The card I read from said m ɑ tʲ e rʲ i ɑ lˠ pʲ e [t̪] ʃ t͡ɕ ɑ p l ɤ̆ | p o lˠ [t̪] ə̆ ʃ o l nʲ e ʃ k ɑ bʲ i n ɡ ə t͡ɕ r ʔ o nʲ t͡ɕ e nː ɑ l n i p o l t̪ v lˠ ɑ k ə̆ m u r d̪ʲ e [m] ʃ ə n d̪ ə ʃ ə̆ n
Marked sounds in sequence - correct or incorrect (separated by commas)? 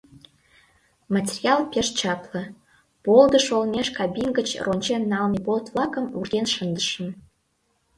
incorrect, incorrect, incorrect